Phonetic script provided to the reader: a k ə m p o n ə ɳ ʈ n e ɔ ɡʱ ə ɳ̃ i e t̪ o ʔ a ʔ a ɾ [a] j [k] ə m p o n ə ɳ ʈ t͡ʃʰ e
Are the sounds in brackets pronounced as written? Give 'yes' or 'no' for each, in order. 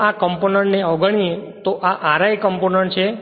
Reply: yes, yes

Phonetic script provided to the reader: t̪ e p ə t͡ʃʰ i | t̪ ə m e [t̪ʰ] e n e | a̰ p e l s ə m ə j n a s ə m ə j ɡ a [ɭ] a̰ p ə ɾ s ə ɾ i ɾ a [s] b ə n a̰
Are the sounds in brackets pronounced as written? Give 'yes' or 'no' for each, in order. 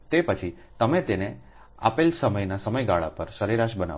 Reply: no, yes, no

